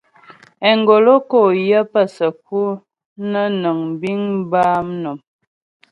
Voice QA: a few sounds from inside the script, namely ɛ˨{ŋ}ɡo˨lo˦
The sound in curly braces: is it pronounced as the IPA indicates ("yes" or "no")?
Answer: yes